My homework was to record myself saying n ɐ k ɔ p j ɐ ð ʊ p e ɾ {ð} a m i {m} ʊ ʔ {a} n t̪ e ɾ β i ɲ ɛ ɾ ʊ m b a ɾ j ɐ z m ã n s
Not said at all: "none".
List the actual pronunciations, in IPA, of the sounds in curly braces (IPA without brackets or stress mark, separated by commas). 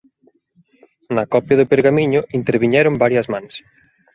ɣ, ɲ, i